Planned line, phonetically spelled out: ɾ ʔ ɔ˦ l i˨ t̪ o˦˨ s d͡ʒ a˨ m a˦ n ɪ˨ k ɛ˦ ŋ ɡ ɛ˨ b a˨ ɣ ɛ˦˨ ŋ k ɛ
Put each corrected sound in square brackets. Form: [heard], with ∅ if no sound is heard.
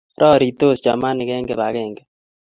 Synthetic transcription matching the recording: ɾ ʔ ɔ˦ [ɾ] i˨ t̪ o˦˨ s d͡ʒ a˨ m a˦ n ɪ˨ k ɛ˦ ŋ ɡ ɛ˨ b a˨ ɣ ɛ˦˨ ŋ [ɡ] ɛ